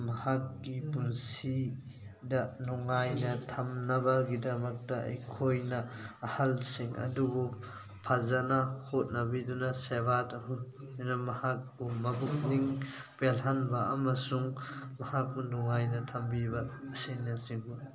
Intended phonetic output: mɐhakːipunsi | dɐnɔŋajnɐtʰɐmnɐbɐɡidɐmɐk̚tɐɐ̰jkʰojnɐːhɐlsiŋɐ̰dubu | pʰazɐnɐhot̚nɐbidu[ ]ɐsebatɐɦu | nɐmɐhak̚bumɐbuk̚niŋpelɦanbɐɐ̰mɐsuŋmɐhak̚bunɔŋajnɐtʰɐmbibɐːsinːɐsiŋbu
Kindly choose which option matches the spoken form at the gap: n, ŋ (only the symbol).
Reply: n